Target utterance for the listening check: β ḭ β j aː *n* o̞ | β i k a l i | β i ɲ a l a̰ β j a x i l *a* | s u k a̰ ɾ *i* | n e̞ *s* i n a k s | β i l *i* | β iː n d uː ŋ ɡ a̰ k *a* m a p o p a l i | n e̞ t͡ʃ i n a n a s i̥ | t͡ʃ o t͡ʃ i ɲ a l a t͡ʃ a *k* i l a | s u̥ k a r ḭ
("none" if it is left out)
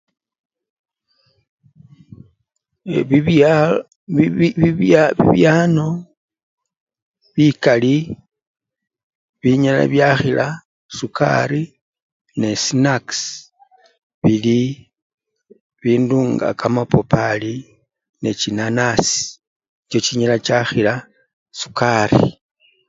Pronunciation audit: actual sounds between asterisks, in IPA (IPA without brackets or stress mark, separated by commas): n, a, i, s, i, a, x